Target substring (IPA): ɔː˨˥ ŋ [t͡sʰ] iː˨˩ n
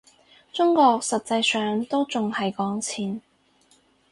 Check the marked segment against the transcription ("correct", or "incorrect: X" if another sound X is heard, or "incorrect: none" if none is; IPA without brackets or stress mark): correct